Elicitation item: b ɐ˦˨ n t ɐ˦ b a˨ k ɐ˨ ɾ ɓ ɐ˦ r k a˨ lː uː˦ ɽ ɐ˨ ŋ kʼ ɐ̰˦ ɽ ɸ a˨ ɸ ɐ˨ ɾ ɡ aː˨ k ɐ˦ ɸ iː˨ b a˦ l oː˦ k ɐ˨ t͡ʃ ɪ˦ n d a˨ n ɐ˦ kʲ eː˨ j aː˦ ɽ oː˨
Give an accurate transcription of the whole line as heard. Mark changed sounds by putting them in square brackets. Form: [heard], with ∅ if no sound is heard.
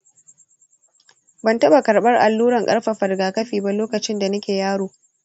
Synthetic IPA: b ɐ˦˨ n t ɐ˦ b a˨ k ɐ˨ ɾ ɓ ɐ˦ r [ʔ] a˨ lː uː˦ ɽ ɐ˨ ŋ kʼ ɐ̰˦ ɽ ɸ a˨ ɸ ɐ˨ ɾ ɡ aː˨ k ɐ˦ ɸ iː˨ b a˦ l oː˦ k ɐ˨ t͡ʃ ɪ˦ n d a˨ n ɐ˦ kʲ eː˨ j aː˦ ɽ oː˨